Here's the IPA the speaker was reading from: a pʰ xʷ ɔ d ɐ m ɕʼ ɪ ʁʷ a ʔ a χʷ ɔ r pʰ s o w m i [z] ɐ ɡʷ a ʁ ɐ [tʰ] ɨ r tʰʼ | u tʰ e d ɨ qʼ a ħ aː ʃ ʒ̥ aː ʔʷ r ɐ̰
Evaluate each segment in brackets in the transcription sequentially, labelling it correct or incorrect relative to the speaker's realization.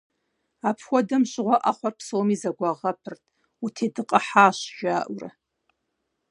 correct, incorrect

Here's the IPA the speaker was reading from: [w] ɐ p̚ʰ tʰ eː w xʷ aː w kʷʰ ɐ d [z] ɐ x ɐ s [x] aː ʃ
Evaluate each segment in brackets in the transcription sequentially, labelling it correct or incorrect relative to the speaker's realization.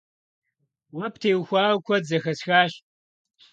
correct, correct, correct

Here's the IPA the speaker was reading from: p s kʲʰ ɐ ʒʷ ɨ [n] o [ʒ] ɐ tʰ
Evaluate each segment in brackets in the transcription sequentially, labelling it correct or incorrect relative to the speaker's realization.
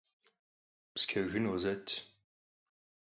correct, incorrect

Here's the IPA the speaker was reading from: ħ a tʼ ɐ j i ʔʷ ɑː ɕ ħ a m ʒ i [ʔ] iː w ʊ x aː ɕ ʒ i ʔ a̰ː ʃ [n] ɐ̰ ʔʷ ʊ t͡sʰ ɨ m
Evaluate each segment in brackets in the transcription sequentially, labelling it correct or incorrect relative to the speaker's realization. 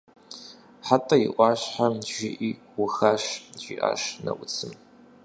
correct, correct

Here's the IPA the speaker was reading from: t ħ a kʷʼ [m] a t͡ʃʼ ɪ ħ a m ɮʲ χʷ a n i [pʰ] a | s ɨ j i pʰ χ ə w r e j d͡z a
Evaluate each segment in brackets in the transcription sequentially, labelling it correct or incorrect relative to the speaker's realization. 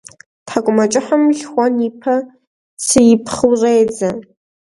correct, correct

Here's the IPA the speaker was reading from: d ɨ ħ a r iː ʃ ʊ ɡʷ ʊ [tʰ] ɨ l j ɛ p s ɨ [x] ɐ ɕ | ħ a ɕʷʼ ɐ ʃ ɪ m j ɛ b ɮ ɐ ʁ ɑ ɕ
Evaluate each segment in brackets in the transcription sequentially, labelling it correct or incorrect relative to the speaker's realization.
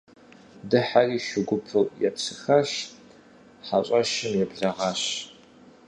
incorrect, correct

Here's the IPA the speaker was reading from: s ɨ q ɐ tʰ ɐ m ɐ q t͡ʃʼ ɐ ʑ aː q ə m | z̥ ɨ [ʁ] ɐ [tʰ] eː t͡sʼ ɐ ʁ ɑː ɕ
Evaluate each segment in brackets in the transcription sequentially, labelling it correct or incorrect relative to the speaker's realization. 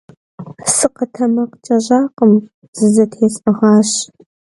incorrect, correct

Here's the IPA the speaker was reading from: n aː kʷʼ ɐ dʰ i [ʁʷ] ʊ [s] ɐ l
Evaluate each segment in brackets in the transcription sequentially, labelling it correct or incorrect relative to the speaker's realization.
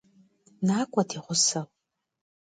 correct, correct

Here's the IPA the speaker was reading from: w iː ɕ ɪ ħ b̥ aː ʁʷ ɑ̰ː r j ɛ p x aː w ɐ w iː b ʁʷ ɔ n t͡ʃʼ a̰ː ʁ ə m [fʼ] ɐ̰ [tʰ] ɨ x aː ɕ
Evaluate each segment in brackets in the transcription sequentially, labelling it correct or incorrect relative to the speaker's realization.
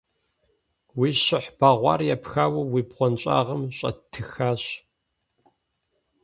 incorrect, correct

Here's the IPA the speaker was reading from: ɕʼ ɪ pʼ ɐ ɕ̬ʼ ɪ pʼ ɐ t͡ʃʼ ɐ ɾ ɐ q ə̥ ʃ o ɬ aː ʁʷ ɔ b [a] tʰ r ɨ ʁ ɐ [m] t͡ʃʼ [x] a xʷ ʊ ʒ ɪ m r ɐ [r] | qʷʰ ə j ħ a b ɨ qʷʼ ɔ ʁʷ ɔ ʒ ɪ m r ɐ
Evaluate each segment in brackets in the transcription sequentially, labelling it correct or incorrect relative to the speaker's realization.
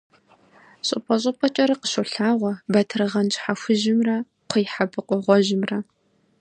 incorrect, incorrect, incorrect, incorrect

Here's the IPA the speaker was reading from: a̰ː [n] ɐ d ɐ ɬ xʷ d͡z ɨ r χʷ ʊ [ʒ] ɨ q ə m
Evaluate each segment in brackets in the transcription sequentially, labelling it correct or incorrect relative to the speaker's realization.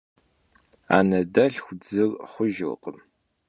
correct, correct

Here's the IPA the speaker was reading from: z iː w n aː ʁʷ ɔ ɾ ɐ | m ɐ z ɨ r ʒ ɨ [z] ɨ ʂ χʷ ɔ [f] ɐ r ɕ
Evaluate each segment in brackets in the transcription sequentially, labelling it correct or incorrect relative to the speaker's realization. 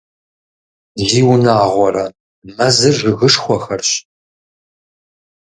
incorrect, incorrect

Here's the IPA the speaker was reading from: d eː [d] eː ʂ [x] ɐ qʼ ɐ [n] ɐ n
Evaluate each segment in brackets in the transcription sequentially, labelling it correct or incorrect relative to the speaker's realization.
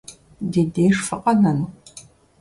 correct, incorrect, correct

